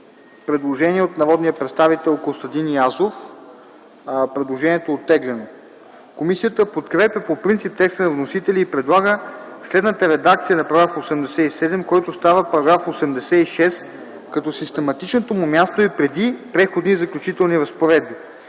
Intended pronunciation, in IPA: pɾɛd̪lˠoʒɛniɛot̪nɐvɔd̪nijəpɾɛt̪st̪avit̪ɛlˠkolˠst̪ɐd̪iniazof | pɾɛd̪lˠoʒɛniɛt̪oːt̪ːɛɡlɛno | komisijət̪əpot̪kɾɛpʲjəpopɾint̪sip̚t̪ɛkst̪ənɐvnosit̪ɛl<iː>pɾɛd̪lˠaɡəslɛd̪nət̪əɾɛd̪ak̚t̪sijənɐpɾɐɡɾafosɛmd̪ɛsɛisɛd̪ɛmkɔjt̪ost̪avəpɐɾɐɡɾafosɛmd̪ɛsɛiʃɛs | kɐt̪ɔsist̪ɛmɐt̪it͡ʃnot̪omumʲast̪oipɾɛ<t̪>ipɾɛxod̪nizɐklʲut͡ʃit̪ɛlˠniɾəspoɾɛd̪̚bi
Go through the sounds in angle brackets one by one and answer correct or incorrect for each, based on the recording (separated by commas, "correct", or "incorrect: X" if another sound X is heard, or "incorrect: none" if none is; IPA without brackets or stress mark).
correct, incorrect: d̪